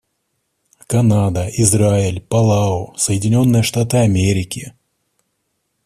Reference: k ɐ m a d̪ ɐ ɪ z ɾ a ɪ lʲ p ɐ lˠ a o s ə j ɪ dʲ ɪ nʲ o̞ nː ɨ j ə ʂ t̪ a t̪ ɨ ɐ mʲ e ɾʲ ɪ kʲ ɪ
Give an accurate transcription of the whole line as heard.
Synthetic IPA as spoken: k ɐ n a d̪ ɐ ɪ z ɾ a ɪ lʲ p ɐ lˠ a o s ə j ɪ dʲ ɪ nʲ o̞ nː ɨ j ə ʂ t̪ a t̪ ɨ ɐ mʲ e ɾʲ ɪ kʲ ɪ